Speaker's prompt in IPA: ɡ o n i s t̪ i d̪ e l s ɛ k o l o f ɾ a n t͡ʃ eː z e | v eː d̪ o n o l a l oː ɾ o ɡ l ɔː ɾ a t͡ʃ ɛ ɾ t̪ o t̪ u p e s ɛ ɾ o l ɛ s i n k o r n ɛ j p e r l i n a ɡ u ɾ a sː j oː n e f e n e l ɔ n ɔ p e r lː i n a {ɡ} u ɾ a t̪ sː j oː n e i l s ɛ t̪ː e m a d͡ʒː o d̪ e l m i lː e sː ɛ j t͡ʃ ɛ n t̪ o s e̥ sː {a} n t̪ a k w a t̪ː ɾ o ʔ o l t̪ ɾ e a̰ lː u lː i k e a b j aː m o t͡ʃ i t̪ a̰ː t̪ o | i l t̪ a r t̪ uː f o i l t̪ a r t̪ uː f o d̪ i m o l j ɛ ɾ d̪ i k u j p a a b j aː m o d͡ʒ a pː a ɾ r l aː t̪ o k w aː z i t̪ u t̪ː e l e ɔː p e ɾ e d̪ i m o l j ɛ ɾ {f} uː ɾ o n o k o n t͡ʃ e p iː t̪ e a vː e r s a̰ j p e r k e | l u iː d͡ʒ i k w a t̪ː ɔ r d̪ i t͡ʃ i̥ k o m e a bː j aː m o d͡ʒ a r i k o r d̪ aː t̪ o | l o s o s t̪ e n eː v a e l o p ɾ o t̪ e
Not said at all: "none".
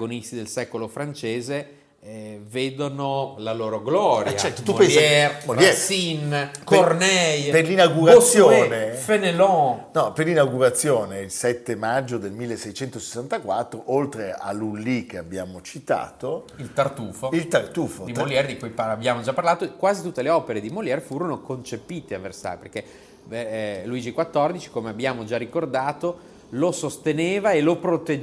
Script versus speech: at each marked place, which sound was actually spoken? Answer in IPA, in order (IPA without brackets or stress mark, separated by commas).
ɡ, a, f